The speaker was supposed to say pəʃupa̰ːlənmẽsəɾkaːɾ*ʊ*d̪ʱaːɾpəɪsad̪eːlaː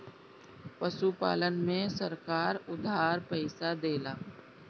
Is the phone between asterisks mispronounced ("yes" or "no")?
no